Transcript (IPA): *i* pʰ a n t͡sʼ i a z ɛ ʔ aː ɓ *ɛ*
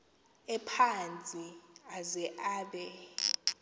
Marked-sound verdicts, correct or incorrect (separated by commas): incorrect, correct